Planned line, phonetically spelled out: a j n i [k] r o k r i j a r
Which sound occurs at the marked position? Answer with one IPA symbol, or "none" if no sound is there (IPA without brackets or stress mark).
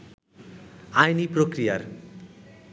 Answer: p